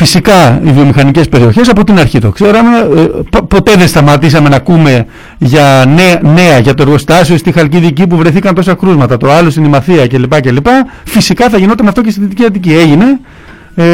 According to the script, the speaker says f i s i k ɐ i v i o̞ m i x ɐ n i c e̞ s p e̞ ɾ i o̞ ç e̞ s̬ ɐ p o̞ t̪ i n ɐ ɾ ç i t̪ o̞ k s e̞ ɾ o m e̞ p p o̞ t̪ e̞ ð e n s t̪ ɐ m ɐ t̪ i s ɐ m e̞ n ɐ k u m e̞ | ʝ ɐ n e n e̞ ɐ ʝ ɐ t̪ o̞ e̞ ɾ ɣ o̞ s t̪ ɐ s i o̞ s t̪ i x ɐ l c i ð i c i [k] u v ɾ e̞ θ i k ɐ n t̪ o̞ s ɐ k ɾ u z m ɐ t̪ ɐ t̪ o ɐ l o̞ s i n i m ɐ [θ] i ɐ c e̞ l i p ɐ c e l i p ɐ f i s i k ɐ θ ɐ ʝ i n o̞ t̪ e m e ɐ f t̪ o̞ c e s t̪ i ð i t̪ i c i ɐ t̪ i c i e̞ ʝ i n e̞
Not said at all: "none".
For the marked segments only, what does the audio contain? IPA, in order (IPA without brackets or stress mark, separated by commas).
p, θ